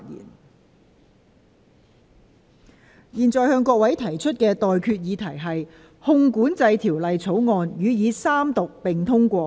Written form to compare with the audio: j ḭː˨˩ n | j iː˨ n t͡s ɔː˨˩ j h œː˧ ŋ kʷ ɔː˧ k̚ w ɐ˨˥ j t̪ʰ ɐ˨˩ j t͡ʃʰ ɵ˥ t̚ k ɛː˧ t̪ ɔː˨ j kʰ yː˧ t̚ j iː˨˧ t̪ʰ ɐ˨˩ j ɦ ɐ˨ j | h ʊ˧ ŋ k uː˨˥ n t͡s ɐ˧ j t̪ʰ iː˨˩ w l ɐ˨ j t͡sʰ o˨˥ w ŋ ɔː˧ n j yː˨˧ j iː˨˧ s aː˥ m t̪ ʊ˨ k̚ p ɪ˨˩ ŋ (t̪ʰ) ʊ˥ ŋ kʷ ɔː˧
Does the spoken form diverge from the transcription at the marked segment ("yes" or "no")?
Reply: no